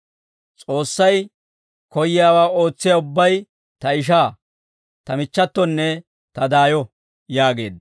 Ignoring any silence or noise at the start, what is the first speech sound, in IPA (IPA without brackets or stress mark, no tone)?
t͡sʼ